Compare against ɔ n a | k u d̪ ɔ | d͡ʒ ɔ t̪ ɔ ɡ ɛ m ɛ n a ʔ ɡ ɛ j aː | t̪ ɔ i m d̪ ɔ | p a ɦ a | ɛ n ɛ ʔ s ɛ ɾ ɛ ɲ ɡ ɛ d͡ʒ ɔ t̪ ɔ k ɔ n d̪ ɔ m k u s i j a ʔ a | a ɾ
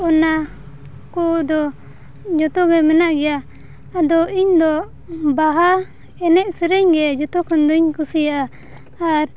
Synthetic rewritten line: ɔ n a | k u d̪ ɔ | d͡ʒ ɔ t̪ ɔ ɡ ɛ m ɛ n a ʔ ɡ ɛ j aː | d̪ ɔ i ɲ d̪ ɔ | b a ɦ a | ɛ n ɛ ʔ s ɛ ɾ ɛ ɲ ɡ ɛ d͡ʒ ɔ t̪ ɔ k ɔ n d̪ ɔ ɲ k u s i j a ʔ a | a ɾ